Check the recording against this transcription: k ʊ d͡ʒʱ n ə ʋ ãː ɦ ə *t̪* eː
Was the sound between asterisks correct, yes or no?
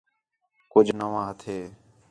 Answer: no